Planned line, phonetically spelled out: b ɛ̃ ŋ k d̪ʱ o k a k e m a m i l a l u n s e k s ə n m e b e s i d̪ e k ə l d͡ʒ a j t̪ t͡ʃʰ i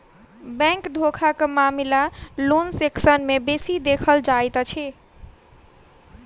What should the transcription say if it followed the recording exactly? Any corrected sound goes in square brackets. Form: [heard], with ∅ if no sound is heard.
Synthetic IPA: b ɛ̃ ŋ k d̪ʱ o [kʰ] a k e m a m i l a l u n s e k s ə n m e b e s i d̪ e [kʰ] ə l d͡ʒ a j t̪ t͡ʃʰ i